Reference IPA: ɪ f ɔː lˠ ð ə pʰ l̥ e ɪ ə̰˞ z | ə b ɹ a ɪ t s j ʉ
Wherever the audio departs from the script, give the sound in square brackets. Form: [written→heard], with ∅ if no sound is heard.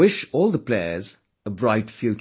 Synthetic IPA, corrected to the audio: ɪ [f→ʃ] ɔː lˠ ð ə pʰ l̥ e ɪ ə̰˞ z | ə b ɹ a ɪ t [s→f] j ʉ